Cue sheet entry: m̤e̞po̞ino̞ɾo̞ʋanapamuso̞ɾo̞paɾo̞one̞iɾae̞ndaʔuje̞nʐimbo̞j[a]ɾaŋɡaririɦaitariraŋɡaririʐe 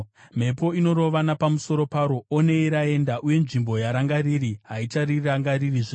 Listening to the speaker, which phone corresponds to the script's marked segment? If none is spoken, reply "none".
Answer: a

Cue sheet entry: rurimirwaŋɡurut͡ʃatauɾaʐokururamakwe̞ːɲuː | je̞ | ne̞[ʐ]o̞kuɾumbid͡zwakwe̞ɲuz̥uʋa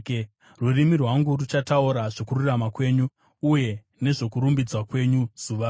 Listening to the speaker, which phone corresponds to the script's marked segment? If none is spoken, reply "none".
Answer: ʐ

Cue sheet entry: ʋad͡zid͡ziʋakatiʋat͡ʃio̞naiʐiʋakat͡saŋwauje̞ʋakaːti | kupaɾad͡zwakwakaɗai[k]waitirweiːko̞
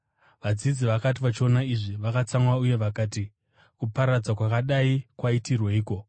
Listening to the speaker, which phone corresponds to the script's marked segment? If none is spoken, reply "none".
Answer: k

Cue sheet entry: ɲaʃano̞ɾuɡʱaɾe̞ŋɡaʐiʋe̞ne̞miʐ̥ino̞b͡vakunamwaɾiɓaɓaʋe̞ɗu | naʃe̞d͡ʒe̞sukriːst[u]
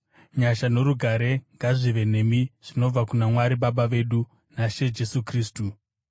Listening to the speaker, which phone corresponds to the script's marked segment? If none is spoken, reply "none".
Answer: u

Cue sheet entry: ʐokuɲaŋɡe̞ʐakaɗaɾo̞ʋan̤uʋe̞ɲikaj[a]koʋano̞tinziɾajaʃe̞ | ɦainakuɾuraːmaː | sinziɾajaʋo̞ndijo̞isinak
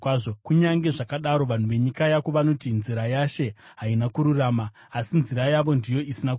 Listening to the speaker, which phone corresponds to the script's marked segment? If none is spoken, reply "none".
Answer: a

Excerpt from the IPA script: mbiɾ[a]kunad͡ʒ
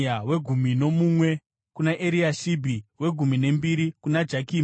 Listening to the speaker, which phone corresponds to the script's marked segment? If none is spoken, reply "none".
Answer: i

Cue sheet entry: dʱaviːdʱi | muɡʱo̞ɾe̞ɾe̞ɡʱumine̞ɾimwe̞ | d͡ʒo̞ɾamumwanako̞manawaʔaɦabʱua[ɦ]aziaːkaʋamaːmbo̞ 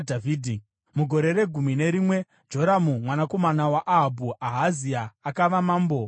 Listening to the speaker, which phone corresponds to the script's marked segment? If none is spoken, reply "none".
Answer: ɦ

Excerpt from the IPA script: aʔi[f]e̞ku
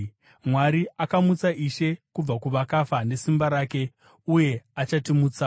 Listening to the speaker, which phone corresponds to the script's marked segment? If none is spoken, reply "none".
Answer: ʃ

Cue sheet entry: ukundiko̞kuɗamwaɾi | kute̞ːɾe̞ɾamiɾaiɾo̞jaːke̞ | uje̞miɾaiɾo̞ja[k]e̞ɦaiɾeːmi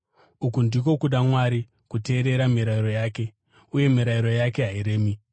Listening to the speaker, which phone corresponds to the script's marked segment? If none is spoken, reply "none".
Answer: k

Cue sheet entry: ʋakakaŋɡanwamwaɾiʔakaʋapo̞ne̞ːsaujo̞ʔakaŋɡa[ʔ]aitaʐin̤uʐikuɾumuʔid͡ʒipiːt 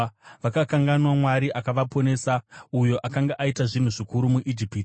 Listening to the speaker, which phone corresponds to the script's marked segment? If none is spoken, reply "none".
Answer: ʔ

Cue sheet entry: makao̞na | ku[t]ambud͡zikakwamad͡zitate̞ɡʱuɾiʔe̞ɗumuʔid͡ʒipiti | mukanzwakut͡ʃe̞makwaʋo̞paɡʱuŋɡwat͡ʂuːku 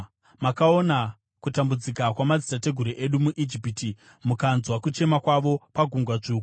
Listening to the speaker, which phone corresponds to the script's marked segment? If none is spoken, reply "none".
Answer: t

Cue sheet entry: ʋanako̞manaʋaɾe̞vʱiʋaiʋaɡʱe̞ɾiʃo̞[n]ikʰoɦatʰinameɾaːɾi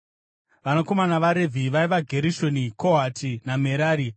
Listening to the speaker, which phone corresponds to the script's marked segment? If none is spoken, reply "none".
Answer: n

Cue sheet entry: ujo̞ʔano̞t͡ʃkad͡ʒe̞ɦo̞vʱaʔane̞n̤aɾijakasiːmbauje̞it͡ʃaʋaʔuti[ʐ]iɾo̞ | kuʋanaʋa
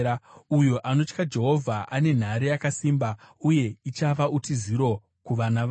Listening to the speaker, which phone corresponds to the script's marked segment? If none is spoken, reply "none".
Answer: z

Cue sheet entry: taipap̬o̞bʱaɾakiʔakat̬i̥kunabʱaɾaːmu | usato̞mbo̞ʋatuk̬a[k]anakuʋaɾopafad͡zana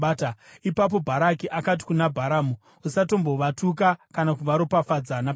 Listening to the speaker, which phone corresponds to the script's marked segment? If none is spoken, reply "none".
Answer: k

